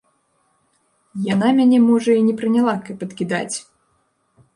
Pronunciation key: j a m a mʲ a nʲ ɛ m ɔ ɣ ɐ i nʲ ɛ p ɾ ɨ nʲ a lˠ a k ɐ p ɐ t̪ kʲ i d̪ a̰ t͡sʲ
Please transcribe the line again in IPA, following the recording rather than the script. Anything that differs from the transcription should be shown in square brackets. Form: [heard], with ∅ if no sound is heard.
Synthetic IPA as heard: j a [n] a mʲ a nʲ ɛ m ɔ [ʐ] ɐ i nʲ ɛ p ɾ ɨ nʲ a lˠ a k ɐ p ɐ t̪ kʲ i d̪ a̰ t͡sʲ

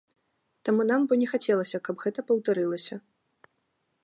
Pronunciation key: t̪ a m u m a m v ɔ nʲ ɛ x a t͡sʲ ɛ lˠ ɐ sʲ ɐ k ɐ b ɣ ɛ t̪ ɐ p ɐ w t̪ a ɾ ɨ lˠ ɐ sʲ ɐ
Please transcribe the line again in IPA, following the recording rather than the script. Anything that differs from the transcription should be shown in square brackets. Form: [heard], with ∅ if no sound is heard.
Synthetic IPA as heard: t̪ a m u [n] a m [b] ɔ nʲ ɛ x a t͡sʲ ɛ lˠ ɐ sʲ ɐ k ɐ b ɣ ɛ t̪ ɐ p ɐ w t̪ a ɾ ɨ lˠ ɐ sʲ ɐ

